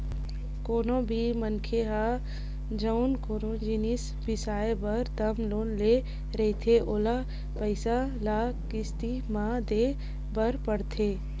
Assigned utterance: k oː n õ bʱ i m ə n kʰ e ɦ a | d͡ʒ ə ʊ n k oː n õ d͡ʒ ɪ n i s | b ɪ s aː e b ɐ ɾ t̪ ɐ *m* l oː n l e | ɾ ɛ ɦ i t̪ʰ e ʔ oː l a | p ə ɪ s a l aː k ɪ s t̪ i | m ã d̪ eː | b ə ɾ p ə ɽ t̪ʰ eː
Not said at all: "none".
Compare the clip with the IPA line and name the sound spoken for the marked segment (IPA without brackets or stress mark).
m